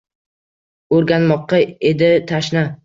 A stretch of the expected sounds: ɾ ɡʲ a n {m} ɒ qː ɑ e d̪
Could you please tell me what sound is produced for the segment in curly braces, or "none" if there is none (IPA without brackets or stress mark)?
m